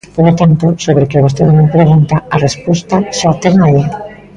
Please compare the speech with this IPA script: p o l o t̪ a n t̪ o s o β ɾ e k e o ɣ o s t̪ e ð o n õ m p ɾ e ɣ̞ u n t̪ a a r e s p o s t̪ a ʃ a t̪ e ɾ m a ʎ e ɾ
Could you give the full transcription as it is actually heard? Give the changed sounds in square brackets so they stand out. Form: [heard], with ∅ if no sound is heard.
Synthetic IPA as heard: p o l o t̪ a n t̪ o s o β ɾ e k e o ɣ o s t̪ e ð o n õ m p ɾ e ɣ̞ u n t̪ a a r e s p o s t̪ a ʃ a t̪ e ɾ m a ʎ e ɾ